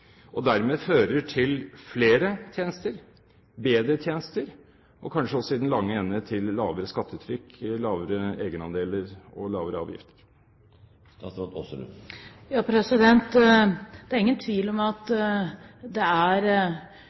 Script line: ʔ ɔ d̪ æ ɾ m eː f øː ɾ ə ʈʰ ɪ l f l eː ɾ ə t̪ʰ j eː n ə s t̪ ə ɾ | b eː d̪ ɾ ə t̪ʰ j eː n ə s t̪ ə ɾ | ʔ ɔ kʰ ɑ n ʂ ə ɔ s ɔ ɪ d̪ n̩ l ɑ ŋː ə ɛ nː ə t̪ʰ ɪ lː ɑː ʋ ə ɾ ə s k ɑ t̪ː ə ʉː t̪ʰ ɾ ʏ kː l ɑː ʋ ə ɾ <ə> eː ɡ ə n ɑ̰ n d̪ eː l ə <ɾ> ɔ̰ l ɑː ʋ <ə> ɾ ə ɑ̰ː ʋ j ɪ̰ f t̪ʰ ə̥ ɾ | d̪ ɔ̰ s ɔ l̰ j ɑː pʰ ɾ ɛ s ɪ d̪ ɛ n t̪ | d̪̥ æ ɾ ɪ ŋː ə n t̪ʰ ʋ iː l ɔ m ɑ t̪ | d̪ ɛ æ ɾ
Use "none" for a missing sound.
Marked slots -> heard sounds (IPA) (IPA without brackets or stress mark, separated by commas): ə, ɾ, ə